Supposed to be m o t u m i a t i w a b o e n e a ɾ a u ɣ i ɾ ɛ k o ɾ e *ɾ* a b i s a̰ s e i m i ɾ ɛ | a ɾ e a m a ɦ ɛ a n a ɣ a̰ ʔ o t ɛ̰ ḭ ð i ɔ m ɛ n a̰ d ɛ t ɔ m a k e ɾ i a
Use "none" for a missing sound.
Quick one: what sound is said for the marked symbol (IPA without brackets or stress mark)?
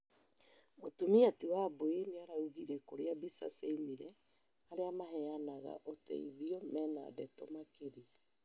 none